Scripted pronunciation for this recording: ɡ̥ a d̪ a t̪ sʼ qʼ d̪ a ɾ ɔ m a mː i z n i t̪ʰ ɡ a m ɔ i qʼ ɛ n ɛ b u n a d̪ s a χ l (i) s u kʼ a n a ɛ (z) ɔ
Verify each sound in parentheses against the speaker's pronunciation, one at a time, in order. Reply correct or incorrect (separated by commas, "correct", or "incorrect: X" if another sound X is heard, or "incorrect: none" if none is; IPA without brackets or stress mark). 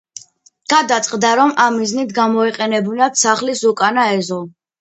correct, correct